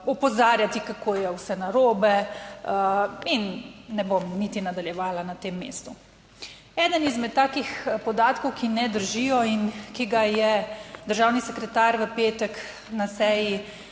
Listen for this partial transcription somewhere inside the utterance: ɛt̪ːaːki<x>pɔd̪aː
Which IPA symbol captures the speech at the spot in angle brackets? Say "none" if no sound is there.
x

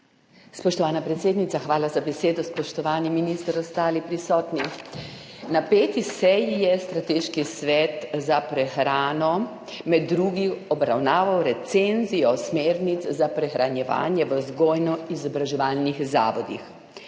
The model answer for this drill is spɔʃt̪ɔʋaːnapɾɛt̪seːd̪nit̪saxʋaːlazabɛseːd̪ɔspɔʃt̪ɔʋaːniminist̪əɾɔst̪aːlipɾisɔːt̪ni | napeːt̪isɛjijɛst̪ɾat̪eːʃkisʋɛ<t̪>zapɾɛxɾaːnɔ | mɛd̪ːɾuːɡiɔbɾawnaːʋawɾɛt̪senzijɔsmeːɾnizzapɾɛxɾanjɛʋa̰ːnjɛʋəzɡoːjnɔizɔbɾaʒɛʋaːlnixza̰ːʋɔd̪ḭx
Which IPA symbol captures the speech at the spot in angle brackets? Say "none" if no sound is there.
t̪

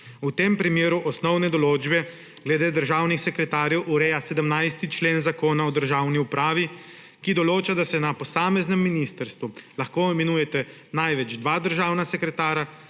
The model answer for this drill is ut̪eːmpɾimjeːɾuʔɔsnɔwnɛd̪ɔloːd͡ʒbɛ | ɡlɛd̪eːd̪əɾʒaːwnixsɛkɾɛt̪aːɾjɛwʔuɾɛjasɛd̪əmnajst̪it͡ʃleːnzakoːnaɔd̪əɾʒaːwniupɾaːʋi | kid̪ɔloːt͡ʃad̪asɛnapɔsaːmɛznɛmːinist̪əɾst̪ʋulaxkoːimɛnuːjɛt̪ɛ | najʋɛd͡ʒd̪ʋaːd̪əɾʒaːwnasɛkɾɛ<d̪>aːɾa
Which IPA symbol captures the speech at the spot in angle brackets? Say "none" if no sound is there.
t̪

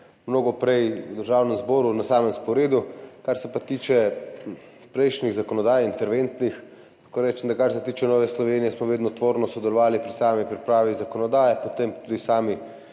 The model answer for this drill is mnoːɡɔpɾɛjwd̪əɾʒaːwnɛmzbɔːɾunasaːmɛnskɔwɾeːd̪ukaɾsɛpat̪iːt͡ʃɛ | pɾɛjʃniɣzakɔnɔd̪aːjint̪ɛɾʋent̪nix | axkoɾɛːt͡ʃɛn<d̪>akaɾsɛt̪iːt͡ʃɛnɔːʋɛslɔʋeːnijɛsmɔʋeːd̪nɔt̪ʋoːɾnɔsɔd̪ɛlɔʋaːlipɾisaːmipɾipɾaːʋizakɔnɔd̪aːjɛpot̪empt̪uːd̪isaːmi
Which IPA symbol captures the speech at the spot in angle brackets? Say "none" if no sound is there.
d̪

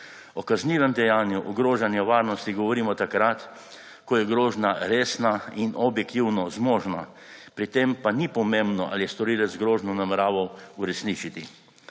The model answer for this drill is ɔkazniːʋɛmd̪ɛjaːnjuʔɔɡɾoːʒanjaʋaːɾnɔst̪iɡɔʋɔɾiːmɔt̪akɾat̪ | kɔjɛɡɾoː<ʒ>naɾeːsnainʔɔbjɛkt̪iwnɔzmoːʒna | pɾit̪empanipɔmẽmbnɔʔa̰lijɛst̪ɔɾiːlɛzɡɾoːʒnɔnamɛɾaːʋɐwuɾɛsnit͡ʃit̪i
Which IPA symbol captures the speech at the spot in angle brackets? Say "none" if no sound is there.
ʒ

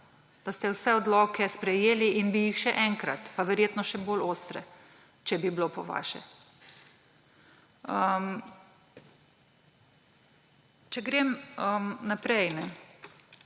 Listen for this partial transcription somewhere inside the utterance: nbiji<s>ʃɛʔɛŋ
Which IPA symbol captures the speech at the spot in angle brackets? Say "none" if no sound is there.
x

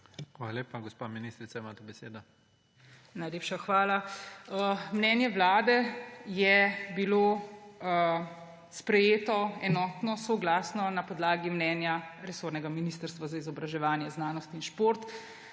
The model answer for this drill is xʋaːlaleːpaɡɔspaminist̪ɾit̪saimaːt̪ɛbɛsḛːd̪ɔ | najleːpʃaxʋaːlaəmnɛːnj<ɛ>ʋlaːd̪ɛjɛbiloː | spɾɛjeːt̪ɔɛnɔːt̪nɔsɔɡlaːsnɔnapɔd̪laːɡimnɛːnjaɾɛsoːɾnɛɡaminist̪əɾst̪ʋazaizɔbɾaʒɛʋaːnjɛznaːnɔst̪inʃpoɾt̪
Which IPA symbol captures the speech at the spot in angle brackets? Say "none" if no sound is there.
ɛ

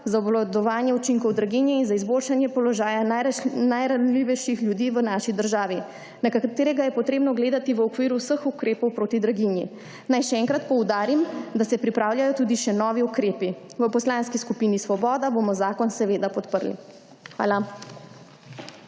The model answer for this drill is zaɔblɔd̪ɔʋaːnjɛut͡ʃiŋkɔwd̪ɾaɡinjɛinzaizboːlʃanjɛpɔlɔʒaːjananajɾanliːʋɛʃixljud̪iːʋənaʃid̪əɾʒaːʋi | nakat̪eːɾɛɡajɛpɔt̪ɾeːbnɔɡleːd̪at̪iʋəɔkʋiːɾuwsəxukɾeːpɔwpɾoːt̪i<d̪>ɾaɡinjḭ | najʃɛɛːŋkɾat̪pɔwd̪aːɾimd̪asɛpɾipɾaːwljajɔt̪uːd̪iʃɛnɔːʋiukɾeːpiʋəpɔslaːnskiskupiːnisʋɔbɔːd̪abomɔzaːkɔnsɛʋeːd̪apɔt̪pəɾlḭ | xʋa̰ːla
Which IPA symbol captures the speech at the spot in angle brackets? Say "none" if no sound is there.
d̪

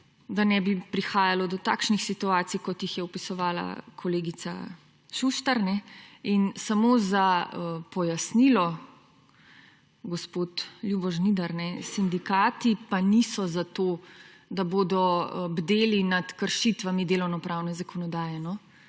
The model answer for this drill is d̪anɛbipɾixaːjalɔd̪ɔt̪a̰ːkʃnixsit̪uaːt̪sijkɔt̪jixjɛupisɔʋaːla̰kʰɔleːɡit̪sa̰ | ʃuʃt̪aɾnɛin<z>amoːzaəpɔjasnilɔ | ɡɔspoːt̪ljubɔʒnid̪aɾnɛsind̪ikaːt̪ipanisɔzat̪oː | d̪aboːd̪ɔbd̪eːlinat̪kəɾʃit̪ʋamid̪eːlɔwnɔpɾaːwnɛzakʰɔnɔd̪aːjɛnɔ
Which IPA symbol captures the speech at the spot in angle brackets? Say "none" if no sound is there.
s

